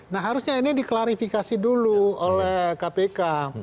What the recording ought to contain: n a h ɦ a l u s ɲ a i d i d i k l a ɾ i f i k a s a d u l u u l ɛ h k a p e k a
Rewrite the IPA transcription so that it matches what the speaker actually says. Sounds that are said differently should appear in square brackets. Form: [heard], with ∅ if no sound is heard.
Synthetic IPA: n a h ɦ a [ɾ] u s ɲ a i [n] i d i k l a ɾ i f i k a s [i] d u l u [o] l ɛ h k a p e k a